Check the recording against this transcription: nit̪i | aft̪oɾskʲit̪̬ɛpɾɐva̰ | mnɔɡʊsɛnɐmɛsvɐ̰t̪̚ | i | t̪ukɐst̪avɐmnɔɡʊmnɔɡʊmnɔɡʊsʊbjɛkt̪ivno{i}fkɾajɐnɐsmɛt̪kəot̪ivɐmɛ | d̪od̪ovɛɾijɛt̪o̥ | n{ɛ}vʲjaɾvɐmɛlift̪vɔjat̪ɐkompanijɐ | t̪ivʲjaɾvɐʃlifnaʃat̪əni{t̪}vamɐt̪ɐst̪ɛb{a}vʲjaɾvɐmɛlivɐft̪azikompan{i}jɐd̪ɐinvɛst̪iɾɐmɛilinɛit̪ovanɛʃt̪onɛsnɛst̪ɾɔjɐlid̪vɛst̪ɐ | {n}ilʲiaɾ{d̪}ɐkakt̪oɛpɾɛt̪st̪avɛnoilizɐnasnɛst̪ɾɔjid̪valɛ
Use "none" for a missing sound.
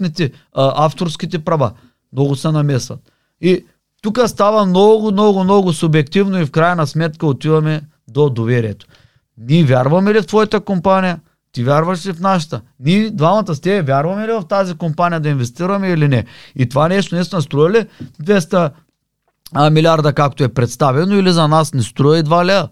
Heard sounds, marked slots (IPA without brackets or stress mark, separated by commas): i, i, d̪, ɛ, i, m, d̪